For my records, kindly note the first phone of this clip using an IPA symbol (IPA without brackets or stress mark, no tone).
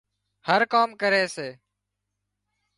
h